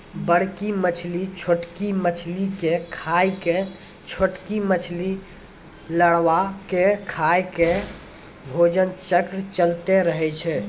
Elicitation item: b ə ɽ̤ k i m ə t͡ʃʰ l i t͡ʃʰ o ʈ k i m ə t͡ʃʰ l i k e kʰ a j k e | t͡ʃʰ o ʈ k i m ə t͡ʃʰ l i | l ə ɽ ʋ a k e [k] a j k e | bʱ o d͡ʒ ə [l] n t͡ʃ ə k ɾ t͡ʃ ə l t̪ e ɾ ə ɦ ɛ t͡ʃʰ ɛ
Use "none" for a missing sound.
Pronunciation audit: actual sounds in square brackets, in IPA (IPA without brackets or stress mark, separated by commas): kʰ, none